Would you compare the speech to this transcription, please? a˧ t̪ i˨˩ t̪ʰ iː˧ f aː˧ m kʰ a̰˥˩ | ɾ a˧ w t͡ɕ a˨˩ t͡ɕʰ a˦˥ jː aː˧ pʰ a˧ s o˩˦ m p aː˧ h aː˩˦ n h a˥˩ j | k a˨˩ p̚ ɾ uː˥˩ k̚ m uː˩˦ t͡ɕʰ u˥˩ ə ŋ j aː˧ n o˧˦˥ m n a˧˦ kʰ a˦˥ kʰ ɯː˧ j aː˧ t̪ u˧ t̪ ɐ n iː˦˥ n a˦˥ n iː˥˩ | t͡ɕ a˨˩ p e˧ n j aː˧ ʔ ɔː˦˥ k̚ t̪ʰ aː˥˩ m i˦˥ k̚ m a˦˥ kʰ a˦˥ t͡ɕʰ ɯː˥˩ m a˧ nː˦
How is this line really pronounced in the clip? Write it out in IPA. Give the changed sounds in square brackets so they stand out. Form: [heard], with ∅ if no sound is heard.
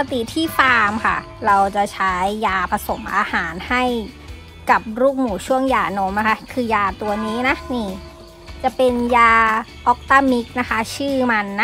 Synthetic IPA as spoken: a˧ t̪ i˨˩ t̪ʰ [iː˥˩] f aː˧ m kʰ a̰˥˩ | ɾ a˧ w t͡ɕ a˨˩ t͡ɕʰ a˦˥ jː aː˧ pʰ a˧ s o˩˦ m [ʔ] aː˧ h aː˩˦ n h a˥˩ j | k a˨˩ p̚ ɾ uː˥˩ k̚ m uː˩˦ t͡ɕʰ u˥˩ ə ŋ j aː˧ n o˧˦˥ m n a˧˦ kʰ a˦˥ kʰ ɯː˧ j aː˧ t̪ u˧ [∅] ɐ n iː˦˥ n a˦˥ n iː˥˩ | t͡ɕ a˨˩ p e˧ n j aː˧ ʔ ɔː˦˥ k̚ [t̪] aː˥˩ m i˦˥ k̚ [n] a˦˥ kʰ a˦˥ t͡ɕʰ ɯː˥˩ m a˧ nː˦